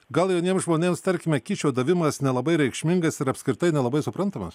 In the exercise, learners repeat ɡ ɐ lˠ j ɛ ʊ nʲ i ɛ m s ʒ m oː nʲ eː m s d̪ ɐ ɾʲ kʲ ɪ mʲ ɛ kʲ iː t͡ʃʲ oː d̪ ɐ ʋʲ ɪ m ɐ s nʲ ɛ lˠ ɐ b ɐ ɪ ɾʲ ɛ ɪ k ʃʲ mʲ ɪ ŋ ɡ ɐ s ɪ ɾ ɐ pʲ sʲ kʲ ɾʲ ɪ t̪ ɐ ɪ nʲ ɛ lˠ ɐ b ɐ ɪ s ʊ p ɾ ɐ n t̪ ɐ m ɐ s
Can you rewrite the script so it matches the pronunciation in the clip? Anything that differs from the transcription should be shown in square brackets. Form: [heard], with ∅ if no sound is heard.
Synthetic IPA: ɡ ɐ lˠ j ɛ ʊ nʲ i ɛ m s ʒ m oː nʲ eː m s [t̪] ɐ ɾʲ kʲ ɪ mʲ ɛ kʲ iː t͡ʃʲ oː d̪ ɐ ʋʲ ɪ m ɐ s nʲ ɛ lˠ ɐ b ɐ ɪ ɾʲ ɛ ɪ k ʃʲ mʲ ɪ ŋ ɡ ɐ s ɪ ɾ ɐ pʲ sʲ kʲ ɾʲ ɪ t̪ ɐ ɪ nʲ ɛ lˠ ɐ b ɐ ɪ s ʊ p ɾ ɐ n t̪ ɐ m ɐ s

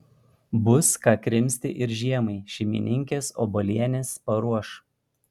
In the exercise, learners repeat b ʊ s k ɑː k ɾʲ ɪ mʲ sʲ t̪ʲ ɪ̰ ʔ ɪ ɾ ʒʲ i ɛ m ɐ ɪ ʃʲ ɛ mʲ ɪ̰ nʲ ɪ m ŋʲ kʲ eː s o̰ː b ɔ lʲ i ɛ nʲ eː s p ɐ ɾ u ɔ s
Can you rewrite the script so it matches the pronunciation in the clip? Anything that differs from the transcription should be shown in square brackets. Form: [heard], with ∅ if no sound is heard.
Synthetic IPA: b ʊ s k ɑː k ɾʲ ɪ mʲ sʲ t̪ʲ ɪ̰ ʔ ɪ ɾ ʒʲ i ɛ m ɐ ɪ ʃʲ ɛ mʲ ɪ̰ nʲ ɪ [∅] ŋʲ kʲ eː s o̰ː b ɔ lʲ i ɛ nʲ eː s p ɐ ɾ u ɔ [ʃ]

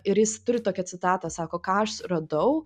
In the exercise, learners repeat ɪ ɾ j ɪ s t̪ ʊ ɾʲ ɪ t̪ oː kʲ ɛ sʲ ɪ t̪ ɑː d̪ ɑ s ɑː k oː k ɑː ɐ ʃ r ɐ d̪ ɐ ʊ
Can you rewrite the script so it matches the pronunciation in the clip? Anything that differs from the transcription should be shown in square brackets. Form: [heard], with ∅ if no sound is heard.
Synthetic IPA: ɪ ɾ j ɪ s t̪ ʊ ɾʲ ɪ t̪ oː kʲ ɛ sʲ ɪ t̪ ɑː [t̪] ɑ s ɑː k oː k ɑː ɐ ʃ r ɐ d̪ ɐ ʊ

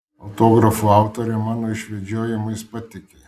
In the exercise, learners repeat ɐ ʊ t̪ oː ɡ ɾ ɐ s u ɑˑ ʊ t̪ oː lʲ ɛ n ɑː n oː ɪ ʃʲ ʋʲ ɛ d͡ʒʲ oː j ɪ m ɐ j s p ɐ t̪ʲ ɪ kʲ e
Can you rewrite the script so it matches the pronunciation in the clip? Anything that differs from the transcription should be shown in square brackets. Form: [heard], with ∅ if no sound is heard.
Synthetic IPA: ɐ ʊ t̪ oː ɡ ɾ ɐ [f] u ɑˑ ʊ t̪ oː [ɾʲ] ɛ [m] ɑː n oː ɪ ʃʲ ʋʲ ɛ d͡ʒʲ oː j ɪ m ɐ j s p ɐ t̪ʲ ɪ kʲ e

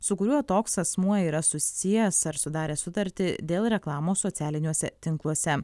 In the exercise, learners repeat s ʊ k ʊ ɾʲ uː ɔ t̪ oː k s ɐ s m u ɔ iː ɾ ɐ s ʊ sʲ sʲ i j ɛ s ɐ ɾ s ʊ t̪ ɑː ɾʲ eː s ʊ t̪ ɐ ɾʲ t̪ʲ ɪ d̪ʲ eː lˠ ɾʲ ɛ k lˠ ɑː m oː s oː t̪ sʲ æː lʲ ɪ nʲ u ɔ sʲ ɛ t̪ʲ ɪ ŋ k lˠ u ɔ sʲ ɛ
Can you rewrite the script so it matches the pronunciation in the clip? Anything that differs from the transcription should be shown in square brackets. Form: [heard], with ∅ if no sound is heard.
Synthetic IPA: s ʊ k ʊ ɾʲ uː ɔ t̪ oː k s ɐ s m u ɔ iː ɾ ɐ s ʊ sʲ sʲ i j ɛ s ɐ ɾ s ʊ [d̪] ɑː ɾʲ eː s ʊ t̪ ɐ ɾʲ t̪ʲ ɪ d̪ʲ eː lˠ ɾʲ ɛ k lˠ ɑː m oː s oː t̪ sʲ æː lʲ ɪ nʲ u ɔ sʲ ɛ t̪ʲ ɪ ŋ k lˠ u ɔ sʲ ɛ

